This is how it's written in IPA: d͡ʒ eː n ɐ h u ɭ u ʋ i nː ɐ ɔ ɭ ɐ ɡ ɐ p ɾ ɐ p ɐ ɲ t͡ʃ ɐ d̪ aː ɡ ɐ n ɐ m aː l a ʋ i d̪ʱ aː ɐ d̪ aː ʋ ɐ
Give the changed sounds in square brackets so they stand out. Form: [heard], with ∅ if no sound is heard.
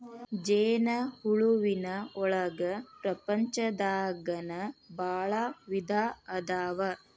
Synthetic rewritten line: d͡ʒ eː n ɐ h u ɭ u ʋ i [n] ɐ ɔ ɭ ɐ ɡ ɐ p ɾ ɐ p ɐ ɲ t͡ʃ ɐ d̪ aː ɡ ɐ n ɐ [b] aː [ɭ] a ʋ i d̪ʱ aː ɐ d̪ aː ʋ ɐ